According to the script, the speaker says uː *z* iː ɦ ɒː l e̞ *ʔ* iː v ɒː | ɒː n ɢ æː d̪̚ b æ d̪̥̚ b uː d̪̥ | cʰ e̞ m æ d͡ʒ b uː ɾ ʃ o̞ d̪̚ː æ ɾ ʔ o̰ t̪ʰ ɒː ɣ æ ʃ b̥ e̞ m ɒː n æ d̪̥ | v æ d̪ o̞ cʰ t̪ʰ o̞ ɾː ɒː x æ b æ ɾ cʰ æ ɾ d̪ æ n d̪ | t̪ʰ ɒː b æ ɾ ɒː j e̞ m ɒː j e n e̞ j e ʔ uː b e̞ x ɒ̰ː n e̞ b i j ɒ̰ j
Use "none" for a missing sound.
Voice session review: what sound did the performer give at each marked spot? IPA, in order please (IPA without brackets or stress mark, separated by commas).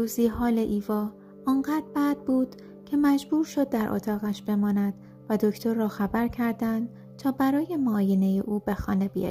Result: z, ʔ